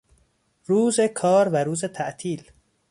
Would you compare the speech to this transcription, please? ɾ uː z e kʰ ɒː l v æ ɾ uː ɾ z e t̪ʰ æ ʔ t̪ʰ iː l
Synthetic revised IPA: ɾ uː z e kʰ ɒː ɾ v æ ɾ uː z e t̪ʰ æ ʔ t̪ʰ iː l